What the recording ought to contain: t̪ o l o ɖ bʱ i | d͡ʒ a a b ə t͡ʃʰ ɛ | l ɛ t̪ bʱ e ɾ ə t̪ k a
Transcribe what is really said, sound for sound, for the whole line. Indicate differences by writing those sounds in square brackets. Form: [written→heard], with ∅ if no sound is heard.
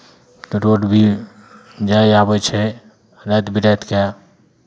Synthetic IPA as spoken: t̪ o [l→ɾ] o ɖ bʱ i | d͡ʒ a a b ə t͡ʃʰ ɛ | [l→ɾ] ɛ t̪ bʱ [e→i] ɾ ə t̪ k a